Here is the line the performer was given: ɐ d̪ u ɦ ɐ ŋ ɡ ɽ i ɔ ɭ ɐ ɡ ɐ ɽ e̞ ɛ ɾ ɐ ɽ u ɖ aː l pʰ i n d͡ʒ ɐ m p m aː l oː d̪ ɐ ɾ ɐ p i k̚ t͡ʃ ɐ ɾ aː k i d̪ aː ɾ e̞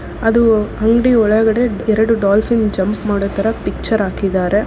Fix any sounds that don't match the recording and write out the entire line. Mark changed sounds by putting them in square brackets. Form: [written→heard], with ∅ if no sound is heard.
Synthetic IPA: ɐ d̪ u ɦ ɐ ŋ ɡ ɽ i ɔ ɭ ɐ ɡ ɐ ɽ e̞ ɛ ɾ ɐ ɽ u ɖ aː l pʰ i n d͡ʒ ɐ m p m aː [l→ɽ] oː [d̪→t̪] ɐ ɾ ɐ p i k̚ t͡ʃ ɐ ɾ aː k i d̪ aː ɾ e̞